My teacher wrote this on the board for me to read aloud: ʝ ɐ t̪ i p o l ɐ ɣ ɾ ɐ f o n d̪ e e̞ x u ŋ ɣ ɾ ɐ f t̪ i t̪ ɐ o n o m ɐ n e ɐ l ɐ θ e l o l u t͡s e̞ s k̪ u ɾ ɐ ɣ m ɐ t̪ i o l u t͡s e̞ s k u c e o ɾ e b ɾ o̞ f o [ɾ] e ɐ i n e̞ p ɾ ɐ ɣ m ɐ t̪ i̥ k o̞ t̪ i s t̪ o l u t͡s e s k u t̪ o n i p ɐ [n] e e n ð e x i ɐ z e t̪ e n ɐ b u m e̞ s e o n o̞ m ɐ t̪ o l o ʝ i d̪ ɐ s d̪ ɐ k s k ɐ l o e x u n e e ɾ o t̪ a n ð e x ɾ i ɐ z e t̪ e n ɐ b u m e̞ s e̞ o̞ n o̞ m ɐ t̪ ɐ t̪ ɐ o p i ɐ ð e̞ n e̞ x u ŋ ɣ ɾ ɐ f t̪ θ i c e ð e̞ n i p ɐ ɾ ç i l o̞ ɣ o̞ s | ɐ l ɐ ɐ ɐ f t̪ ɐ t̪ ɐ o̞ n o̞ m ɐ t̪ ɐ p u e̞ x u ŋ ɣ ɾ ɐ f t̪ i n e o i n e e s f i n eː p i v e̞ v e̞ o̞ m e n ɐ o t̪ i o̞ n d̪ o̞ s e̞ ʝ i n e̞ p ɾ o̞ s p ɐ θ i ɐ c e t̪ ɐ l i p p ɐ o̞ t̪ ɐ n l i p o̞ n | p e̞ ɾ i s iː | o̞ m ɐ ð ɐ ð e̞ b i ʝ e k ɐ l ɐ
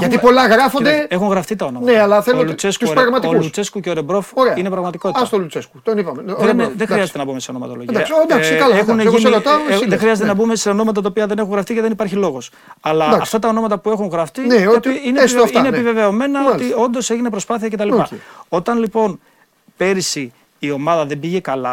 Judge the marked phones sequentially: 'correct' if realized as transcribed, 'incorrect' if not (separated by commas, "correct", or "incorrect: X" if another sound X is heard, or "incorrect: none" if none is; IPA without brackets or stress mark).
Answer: correct, incorrect: m